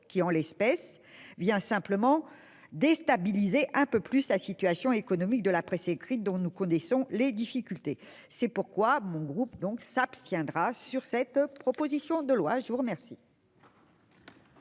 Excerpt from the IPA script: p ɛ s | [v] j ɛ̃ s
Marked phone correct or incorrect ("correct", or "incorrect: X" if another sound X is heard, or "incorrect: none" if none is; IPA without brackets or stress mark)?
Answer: correct